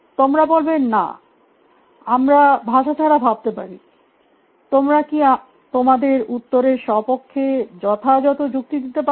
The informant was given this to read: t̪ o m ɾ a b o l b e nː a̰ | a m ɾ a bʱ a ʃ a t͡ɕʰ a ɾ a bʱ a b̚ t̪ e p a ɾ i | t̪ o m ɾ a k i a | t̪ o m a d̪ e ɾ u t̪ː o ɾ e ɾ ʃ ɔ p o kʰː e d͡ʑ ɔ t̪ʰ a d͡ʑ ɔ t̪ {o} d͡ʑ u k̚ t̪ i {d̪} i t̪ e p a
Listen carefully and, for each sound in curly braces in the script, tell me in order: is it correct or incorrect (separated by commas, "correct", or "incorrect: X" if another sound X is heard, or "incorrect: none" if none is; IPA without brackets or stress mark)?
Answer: correct, correct